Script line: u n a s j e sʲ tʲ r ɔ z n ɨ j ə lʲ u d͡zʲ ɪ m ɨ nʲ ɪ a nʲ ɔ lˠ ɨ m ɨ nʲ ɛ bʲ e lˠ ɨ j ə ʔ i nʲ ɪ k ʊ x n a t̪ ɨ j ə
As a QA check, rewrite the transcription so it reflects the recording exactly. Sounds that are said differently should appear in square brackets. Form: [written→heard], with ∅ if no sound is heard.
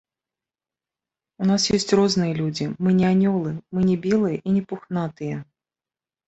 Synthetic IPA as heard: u n a s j e sʲ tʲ r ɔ z n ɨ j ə lʲ u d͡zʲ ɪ m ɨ nʲ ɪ a nʲ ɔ lˠ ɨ m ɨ nʲ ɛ bʲ e lˠ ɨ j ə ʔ i nʲ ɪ [k→p] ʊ x n a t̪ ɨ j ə